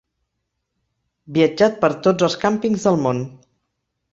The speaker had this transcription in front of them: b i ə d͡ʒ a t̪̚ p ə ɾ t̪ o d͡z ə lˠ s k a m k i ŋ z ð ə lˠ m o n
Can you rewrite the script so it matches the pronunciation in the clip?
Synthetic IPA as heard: b i ə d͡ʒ a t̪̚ p ə ɾ t̪ o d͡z ə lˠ s k a m p i ŋ z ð ə lˠ m o n